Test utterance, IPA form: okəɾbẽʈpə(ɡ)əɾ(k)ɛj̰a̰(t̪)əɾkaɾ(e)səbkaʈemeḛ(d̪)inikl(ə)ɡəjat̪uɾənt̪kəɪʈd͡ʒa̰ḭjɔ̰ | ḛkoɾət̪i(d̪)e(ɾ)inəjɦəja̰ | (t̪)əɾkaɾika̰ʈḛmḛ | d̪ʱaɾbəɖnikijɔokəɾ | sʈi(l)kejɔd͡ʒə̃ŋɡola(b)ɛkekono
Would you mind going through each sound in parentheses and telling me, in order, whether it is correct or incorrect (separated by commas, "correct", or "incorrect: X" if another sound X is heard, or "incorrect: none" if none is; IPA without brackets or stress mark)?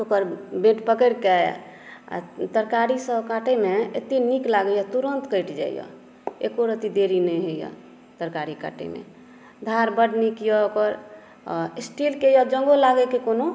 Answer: incorrect: k, correct, correct, incorrect: i, incorrect: t̪, incorrect: a, correct, correct, correct, correct, incorrect: ɡ